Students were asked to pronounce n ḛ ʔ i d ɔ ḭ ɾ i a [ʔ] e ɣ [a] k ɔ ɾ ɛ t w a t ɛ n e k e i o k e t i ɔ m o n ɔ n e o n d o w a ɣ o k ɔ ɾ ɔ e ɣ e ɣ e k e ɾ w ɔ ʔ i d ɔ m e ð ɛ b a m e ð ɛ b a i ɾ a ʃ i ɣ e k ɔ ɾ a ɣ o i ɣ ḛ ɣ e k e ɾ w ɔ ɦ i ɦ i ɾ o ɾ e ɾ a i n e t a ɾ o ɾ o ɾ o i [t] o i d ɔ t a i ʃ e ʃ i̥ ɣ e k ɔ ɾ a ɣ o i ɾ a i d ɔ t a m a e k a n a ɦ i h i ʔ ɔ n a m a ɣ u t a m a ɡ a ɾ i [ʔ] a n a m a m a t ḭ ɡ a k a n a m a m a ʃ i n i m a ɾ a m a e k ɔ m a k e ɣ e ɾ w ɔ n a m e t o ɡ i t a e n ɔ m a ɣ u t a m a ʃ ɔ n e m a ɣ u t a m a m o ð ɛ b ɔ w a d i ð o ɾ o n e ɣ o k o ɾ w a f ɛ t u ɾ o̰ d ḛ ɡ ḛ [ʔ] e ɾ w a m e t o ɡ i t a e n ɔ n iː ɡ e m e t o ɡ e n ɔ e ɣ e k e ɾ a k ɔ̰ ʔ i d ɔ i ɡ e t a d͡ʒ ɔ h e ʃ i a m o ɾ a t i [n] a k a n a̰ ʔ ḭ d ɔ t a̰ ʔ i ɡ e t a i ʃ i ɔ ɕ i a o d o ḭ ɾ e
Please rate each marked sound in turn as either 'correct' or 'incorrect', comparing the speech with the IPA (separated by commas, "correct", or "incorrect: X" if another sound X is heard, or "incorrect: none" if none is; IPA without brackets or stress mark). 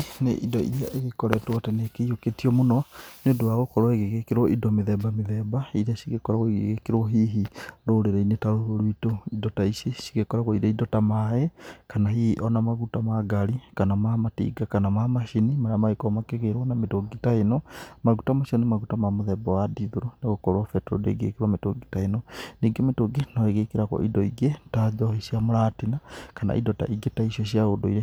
correct, incorrect: e, correct, incorrect: k, incorrect: k, correct